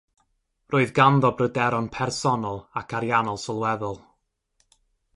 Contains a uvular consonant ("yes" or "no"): no